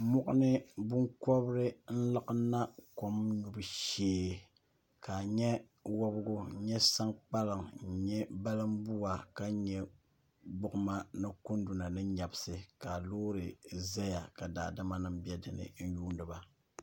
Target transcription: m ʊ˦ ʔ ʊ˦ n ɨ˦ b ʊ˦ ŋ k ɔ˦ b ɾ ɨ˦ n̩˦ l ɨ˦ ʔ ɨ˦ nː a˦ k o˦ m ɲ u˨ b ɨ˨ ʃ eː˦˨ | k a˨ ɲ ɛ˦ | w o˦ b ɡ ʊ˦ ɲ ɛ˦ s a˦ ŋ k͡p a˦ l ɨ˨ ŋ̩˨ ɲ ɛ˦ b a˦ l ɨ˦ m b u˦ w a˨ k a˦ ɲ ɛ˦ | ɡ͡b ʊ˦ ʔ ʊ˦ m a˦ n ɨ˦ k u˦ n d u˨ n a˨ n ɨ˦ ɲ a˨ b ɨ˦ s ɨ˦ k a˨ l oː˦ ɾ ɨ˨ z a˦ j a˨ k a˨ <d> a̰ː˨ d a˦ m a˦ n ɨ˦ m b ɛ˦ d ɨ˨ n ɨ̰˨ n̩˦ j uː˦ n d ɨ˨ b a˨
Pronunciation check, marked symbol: correct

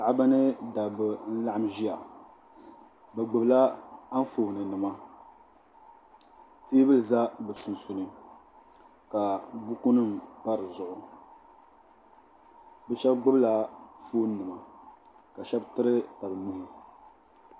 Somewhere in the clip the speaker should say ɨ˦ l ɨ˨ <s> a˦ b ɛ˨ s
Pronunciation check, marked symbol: incorrect: z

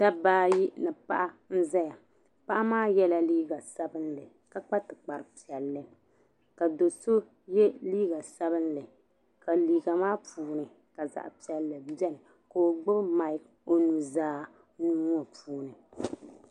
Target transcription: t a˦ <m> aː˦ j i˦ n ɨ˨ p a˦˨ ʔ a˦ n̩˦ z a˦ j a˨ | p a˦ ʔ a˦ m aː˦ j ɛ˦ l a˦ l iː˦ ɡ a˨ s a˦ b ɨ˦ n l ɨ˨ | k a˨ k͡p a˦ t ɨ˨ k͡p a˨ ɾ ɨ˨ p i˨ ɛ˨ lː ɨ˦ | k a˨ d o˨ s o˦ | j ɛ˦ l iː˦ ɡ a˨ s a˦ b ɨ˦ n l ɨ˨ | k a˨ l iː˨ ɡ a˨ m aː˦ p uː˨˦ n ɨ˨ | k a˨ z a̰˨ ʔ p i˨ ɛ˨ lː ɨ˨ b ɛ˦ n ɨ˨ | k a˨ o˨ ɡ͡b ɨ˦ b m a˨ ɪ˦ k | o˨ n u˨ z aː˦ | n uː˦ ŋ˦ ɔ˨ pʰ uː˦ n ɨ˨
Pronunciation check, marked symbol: incorrect: b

